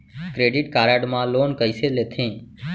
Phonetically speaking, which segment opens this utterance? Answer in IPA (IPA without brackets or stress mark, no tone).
k